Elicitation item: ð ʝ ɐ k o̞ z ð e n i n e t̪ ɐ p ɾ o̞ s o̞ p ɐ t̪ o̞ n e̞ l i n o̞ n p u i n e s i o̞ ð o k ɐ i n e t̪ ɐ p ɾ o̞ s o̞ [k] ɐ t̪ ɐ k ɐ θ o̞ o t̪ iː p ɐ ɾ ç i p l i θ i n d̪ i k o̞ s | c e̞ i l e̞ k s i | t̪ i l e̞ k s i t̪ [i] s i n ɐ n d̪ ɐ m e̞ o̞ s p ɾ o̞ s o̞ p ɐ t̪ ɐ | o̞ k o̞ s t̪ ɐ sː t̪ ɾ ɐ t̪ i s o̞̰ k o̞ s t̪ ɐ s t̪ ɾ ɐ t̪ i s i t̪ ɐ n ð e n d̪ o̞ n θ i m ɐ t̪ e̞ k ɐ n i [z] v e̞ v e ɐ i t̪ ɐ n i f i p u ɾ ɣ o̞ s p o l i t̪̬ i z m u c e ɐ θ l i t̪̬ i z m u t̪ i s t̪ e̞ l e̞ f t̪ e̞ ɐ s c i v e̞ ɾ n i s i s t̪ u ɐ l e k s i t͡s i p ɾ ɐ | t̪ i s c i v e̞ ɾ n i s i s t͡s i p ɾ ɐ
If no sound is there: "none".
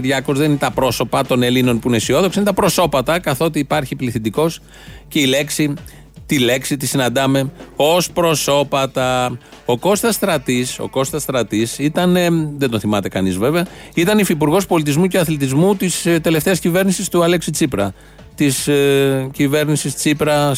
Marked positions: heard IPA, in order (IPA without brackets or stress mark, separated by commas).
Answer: p, i, z